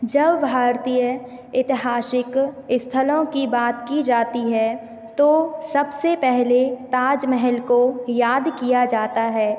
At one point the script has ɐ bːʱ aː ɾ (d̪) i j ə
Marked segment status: incorrect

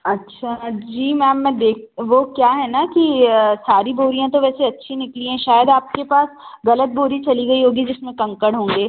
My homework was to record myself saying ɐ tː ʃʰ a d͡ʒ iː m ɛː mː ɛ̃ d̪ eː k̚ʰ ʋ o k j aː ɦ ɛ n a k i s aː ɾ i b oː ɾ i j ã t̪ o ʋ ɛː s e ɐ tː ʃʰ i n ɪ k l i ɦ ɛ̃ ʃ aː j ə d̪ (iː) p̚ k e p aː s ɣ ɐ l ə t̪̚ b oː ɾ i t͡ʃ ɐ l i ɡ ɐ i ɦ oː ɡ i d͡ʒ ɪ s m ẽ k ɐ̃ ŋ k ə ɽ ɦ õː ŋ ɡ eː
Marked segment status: incorrect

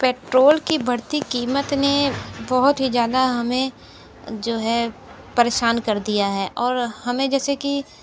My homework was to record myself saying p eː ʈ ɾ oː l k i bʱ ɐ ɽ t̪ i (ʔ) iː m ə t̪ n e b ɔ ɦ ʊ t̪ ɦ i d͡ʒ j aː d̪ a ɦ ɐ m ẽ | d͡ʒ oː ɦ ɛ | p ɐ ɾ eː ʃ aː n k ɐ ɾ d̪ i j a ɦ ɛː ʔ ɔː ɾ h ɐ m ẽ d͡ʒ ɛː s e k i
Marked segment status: incorrect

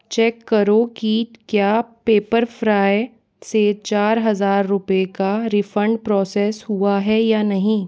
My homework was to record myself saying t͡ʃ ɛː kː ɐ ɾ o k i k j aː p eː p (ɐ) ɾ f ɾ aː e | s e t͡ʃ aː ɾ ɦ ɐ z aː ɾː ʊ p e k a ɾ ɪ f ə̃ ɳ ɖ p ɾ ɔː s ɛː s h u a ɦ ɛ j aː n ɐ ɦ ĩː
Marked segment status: incorrect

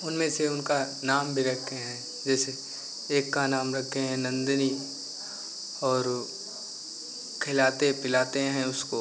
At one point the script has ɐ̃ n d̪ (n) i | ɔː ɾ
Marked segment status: correct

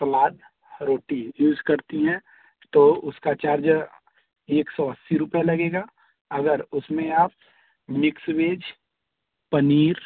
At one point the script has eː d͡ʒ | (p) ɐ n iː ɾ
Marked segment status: correct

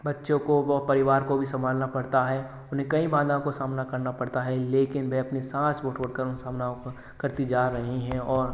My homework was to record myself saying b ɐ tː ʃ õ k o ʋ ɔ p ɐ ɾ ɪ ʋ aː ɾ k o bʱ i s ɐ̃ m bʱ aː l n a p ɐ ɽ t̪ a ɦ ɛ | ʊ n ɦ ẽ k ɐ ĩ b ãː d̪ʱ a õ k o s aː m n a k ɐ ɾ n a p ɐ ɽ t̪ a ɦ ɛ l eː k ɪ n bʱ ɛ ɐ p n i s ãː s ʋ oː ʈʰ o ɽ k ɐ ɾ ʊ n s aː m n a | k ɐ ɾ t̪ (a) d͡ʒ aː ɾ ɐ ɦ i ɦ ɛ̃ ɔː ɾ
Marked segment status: incorrect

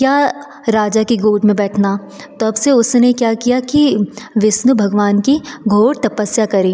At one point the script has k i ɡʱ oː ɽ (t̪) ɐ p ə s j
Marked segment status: correct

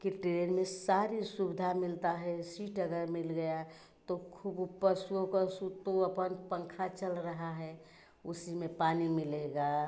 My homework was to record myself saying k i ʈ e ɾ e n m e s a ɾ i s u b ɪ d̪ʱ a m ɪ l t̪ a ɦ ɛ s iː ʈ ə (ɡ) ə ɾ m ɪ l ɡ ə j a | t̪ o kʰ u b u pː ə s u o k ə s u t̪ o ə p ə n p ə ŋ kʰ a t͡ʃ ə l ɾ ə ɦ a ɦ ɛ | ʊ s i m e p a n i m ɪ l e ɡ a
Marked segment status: correct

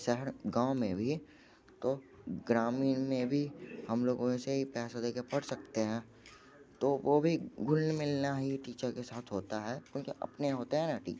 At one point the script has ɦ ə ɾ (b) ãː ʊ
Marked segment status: incorrect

